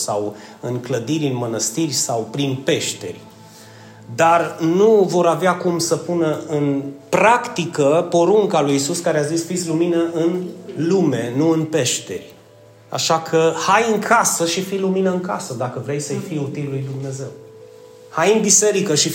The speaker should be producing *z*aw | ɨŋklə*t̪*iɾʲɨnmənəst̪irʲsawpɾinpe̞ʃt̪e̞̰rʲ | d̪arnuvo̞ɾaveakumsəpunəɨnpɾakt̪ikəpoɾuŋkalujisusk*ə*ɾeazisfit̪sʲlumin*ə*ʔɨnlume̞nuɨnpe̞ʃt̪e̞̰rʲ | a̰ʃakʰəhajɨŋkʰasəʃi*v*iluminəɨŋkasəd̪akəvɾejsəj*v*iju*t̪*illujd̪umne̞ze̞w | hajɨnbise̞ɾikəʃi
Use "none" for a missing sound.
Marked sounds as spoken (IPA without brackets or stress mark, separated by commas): s, d̪, a, ə, f, f, t̪